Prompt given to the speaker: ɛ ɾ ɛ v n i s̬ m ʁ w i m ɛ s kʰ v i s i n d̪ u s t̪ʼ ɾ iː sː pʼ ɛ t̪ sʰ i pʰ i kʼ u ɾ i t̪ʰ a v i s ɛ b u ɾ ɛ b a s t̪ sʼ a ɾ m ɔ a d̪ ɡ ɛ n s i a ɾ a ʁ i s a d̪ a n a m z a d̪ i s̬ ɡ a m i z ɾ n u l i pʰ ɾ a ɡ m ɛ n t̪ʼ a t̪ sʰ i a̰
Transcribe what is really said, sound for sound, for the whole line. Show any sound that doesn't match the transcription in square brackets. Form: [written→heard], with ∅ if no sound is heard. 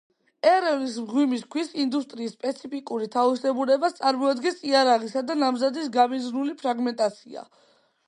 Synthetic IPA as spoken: ɛ ɾ ɛ v n i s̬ m ʁ w i m [ɛ→i] s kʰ [v→w] i s i n d̪ u s t̪ʼ ɾ iː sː pʼ ɛ t̪ sʰ i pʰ i kʼ u ɾ i t̪ʰ a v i s ɛ b u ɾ ɛ b a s t̪ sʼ a ɾ m ɔ a d̪ ɡ ɛ n s i a ɾ a ʁ i s a d̪ a n a m z a d̪ i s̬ ɡ a m i z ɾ n u l i pʰ ɾ a ɡ m ɛ n t̪ʼ a t̪ sʰ i a̰